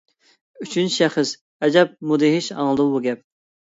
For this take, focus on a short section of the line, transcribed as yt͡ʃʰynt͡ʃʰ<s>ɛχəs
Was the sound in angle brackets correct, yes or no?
no